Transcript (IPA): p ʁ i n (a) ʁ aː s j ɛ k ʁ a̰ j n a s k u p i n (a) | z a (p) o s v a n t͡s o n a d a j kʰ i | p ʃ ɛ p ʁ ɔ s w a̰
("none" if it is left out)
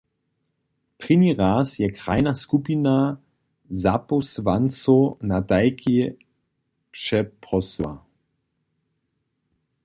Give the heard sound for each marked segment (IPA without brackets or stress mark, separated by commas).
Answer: i, a, p